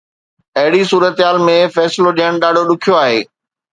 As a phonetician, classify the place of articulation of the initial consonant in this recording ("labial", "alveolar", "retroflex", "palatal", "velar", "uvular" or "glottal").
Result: glottal